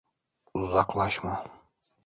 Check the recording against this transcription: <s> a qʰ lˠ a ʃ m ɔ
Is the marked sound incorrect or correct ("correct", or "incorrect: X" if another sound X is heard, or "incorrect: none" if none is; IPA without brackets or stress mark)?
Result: incorrect: z